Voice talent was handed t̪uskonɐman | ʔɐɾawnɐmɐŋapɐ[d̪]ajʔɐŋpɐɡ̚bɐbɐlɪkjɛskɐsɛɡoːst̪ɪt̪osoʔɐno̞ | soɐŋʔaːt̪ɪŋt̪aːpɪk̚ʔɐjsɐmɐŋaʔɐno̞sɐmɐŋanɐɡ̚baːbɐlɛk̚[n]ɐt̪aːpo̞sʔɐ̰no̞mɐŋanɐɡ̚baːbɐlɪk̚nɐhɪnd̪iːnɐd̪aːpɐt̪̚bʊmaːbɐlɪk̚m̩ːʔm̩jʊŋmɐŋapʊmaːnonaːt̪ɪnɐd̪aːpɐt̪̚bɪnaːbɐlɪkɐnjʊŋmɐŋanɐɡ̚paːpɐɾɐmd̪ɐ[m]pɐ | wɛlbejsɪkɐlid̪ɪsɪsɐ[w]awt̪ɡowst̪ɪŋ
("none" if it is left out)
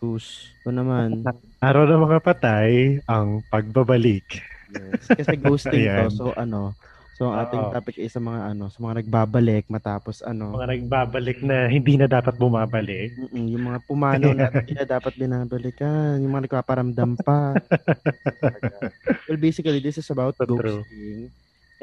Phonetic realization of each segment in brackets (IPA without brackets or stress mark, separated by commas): t̪, m, m, b